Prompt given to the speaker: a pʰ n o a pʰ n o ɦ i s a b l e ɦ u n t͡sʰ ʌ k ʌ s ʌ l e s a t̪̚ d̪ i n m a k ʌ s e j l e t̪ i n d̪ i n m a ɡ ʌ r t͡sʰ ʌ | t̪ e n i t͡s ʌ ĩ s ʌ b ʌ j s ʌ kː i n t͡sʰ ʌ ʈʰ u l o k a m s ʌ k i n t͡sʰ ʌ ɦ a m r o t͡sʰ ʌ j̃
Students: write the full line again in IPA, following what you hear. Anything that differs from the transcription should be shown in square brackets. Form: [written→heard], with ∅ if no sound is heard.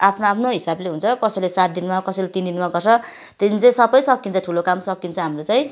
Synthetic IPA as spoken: a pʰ n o a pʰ n o ɦ i s a b l e ɦ u n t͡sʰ ʌ k ʌ s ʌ l e s a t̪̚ d̪ i n m a k ʌ s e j l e t̪ i n d̪ i n m a ɡ ʌ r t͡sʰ ʌ | t̪ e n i t͡s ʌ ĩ s ʌ b ʌ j s ʌ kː i n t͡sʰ ʌ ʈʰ u l o k a m s ʌ k i n t͡sʰ ʌ ɦ a m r o [t͡sʰ→t͡s] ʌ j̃

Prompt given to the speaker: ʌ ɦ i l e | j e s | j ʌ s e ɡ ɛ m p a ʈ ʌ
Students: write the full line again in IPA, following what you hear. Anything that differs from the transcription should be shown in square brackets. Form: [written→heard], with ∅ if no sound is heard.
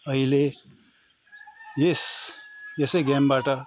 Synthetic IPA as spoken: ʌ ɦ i l e | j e s | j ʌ s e ɡ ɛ m [p→b] a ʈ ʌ

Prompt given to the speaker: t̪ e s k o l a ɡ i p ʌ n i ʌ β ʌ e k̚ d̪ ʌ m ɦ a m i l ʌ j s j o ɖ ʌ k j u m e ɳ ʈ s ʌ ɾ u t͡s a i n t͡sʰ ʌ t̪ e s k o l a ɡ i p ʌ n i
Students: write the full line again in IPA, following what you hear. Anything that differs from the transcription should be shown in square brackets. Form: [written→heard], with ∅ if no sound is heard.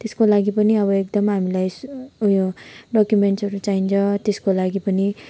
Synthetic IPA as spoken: t̪ e s k o l a ɡ i p ʌ n i ʌ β ʌ e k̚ d̪ ʌ m ɦ a m i l [ʌ→a] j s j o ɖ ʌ k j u m e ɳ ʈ s ʌ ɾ u t͡s a i n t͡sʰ ʌ t̪ e s k o l a ɡ i p ʌ n i

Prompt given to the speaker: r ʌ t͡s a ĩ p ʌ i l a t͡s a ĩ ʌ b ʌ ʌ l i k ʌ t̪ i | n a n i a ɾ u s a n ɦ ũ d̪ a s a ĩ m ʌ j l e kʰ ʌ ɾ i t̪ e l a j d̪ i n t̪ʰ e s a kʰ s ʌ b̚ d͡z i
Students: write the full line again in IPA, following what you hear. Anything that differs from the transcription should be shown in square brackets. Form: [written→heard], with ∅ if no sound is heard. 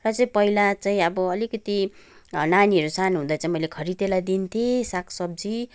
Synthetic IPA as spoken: r ʌ t͡s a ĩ p ʌ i l a t͡s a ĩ ʌ b ʌ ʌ l i k ʌ t̪ i | n a n i [a→ʌ] ɾ u s a n ɦ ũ d̪ a [s→t͡s] a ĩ m ʌ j l e kʰ ʌ ɾ i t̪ e l a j d̪ i n t̪ʰ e s a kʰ s ʌ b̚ d͡z i

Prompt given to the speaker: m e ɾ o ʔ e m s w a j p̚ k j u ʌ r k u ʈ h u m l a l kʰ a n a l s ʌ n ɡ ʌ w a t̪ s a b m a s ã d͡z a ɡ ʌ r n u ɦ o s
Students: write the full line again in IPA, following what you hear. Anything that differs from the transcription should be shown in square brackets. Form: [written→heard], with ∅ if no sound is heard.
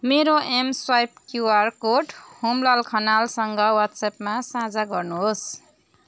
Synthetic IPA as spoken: m e ɾ o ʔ e m s w a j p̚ k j u [ʌ→a] r k [u→o] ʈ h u m l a l kʰ [a→ʌ] n a l s ʌ [n→ŋ] ɡ ʌ w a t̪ s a [b→p] m a s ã d͡z a ɡ ʌ r n u ɦ o s

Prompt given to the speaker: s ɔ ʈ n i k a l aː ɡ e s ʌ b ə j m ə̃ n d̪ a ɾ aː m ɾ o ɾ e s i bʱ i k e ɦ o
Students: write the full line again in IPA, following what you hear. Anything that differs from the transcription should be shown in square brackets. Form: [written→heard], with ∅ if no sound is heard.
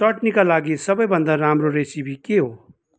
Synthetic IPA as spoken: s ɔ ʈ n i k a l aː ɡ [e→i] s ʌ b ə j [m→b] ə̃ n d̪ a ɾ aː m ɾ o ɾ e s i bʱ i k e ɦ o

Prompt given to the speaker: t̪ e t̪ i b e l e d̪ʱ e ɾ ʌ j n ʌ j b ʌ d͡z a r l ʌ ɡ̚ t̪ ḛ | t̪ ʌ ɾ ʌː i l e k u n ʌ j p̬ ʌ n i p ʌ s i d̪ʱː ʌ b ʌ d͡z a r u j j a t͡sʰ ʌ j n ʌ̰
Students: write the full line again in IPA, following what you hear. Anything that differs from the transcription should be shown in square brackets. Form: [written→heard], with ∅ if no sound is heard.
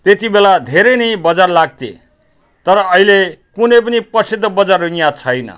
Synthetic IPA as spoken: t̪ e t̪ i b e l [e→a] d̪ʱ e ɾ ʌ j n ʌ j b ʌ d͡z a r l [ʌ→a] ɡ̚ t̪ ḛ | t̪ ʌ ɾ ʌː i l e k u n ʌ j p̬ ʌ n i p ʌ s i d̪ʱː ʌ b ʌ d͡z a r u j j a t͡sʰ ʌ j n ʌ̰

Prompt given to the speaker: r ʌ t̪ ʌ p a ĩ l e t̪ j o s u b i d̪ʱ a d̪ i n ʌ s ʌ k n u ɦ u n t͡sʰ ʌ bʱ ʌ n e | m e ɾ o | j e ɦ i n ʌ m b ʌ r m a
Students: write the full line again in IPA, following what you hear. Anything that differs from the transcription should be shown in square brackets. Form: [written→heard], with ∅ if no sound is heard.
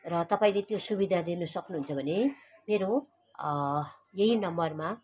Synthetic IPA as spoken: r ʌ t̪ ʌ p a ĩ l e t̪ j o s u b i d̪ʱ a d̪ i n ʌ s ʌ k n u ɦ u n t͡sʰ ʌ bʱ ʌ n e | m e ɾ o | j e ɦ i n ʌ m b ʌ r m a

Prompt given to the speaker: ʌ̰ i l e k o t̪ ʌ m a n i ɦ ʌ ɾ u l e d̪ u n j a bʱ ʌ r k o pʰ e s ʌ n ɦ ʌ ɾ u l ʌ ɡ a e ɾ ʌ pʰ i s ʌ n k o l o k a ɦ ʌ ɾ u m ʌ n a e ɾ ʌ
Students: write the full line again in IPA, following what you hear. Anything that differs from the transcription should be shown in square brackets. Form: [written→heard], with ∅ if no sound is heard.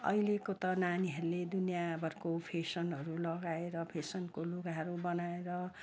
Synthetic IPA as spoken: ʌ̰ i l e k o t̪ ʌ [m→n] a n i ɦ ʌ ɾ u l e d̪ u n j a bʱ ʌ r k o pʰ e s ʌ n ɦ ʌ ɾ u l ʌ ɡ a e ɾ ʌ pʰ [i→e] s ʌ n k o l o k a ɦ ʌ ɾ u [m→b] ʌ n a e ɾ ʌ

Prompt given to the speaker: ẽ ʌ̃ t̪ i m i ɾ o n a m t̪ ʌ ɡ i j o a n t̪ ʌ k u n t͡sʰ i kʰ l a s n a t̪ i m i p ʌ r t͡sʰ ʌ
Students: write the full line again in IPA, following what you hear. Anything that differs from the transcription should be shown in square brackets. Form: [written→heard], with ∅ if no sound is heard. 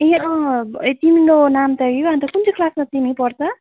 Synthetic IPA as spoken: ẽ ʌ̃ t̪ i m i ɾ o n a m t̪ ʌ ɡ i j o a n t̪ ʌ k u n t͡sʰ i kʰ l a s [n→m] a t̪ i m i p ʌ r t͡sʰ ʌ

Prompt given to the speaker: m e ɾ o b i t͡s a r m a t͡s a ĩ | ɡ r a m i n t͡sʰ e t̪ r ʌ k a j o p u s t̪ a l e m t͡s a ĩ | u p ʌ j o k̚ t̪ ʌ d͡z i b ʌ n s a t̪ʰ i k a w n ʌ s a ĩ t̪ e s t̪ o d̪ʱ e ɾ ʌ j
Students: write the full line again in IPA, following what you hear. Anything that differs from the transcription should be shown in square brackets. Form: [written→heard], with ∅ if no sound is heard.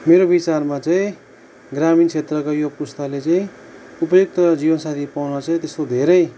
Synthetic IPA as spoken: m e ɾ o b i t͡s a r m a t͡s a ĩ | ɡ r a m i n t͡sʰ e t̪ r ʌ k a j o p u s t̪ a l e [m→∅] t͡s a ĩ | u p ʌ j o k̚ t̪ ʌ d͡z i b ʌ n s a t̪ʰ i [k→p] a w n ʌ [s→t͡s] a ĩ t̪ e s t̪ o d̪ʱ e ɾ ʌ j

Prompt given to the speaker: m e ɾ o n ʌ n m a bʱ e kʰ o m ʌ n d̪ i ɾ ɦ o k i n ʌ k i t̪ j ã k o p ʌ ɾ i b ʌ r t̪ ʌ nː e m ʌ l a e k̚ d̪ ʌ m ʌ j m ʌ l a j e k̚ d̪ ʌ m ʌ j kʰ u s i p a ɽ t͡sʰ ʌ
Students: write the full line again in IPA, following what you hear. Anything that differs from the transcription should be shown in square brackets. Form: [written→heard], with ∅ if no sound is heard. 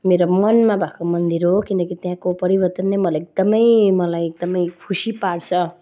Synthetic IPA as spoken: m e ɾ o [n→m] ʌ n m a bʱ [e→a] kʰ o m ʌ n d̪ i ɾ ɦ o k i n ʌ k i t̪ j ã k o p ʌ ɾ i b ʌ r t̪ ʌ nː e m ʌ l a e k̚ d̪ ʌ m ʌ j m ʌ l a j e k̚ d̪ ʌ m ʌ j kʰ u s i p a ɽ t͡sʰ ʌ

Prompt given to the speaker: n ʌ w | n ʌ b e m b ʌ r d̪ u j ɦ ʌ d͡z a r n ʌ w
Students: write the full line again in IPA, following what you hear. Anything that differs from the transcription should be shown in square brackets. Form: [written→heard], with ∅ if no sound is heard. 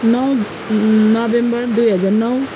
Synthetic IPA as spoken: n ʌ w | n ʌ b e m b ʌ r d̪ u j ɦ ʌ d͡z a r n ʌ w

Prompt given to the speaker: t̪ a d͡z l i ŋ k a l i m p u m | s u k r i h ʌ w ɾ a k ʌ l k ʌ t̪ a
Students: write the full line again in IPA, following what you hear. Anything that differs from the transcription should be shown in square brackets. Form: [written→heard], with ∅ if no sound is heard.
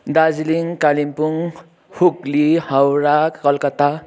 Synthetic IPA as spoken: [t̪→d̪] a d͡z l i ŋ k a l i m p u [m→ŋ] | [s→h] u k [r→l] i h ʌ w ɾ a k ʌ l k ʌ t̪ a

